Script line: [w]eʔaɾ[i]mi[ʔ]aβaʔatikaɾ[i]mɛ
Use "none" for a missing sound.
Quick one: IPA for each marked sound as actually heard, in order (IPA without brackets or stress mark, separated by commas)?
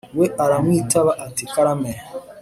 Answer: w, a, t, a